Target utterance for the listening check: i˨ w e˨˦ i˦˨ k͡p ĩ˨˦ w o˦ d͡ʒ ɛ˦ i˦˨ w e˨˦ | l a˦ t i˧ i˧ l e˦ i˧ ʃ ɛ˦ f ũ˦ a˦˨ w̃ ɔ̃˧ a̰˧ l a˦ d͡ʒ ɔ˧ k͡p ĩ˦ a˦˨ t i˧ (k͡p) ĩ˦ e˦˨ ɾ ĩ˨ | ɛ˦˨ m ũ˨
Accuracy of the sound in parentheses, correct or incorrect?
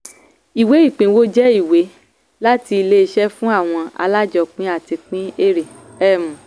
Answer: correct